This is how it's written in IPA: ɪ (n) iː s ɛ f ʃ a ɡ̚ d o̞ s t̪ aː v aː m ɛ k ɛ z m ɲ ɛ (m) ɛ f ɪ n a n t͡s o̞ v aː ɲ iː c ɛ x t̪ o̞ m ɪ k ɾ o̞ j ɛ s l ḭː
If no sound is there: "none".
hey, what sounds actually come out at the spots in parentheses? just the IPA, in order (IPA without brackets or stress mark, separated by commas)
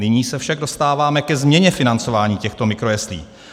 ɲ, ɲ